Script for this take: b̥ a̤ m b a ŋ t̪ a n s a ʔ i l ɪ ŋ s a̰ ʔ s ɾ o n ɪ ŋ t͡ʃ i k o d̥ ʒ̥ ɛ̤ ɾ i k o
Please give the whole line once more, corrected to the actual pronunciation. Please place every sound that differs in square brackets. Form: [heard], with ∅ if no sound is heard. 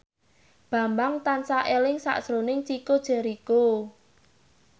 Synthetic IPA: b̥ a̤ m b a ŋ t̪ a n s a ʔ [e] l ɪ ŋ s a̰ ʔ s ɾ o n ɪ ŋ t͡ʃ i k o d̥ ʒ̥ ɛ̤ ɾ i k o